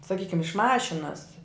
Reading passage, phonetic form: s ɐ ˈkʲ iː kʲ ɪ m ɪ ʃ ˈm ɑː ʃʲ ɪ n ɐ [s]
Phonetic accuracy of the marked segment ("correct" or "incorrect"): correct